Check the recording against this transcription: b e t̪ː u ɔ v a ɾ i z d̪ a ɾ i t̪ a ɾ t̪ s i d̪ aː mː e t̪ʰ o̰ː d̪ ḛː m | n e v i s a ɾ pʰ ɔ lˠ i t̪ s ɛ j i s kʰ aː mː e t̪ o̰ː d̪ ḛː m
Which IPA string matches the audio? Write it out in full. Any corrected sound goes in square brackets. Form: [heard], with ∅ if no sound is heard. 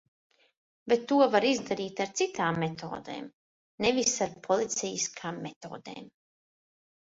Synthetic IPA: b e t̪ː u ɔ v a ɾ i z d̪ a ɾ [iː] t̪ a ɾ t̪ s i [t̪] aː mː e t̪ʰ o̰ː d̪ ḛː m | n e v i s a ɾ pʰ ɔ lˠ i t̪ s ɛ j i s kʰ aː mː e t̪ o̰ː d̪ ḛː m